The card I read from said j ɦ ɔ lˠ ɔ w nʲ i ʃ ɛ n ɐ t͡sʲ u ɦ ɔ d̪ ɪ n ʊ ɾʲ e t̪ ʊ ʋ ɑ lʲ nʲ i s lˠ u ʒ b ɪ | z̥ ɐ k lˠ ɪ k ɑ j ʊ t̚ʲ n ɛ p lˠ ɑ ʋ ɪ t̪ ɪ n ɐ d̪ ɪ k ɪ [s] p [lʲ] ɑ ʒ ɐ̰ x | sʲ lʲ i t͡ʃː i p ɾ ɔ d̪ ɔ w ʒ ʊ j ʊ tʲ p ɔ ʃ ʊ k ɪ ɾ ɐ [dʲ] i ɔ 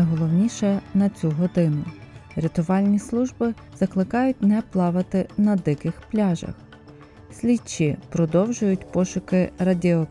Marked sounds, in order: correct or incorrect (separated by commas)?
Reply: incorrect, correct, correct